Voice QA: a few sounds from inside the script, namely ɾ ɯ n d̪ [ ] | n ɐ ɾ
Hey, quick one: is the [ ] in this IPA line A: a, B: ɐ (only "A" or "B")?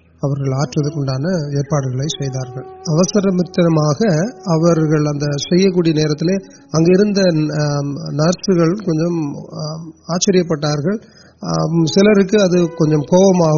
B